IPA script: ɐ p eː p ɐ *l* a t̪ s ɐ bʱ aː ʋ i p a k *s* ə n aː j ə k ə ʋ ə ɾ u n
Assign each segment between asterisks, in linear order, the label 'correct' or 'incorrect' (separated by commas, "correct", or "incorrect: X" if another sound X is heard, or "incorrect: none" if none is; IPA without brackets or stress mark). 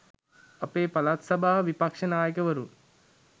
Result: correct, incorrect: ʂ